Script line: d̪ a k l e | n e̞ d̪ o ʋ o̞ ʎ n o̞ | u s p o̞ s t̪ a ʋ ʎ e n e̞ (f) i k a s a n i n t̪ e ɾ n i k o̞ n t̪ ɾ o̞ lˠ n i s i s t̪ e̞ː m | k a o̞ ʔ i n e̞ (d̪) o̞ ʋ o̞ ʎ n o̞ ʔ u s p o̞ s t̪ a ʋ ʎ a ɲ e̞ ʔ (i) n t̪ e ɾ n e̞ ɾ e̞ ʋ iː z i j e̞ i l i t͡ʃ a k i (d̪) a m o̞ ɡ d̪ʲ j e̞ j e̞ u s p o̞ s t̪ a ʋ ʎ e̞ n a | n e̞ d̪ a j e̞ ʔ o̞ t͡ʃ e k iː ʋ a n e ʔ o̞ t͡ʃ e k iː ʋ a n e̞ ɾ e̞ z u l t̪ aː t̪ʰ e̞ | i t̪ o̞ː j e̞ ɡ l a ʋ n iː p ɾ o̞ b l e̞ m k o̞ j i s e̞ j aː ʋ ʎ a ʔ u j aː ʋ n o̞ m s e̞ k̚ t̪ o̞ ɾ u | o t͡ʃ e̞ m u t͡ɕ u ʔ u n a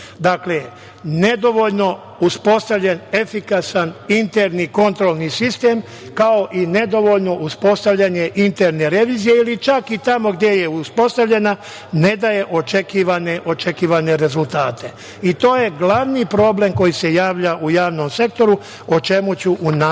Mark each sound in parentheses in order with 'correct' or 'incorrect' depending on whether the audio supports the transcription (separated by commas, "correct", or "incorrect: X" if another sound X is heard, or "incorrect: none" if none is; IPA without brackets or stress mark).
correct, correct, correct, incorrect: t̪